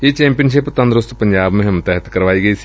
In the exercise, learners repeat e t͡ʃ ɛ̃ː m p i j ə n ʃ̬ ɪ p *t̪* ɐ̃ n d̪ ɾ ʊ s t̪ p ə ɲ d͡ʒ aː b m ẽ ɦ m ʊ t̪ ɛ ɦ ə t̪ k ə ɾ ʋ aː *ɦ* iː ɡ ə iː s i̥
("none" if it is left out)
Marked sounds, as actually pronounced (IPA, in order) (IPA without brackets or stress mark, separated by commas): t̪, none